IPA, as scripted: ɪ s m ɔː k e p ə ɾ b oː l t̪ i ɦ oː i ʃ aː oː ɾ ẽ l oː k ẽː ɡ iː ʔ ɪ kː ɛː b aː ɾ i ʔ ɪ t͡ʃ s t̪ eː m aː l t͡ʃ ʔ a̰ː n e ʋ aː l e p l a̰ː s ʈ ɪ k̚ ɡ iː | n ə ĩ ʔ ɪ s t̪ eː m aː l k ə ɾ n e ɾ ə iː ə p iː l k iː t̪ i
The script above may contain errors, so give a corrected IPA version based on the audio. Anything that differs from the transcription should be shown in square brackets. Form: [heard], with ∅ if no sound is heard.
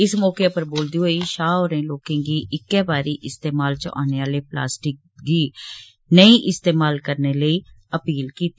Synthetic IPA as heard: ɪ s m ɔː k e p ə ɾ b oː l [d̪] i ɦ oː i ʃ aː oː ɾ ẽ l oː k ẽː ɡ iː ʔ ɪ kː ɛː b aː ɾ i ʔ ɪ [∅] s t̪ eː m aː l t͡ʃ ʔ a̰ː n e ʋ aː l e p l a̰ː s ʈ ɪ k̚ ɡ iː | n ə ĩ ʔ ɪ s t̪ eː m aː l k ə ɾ n e [l] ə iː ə p iː l k iː t̪ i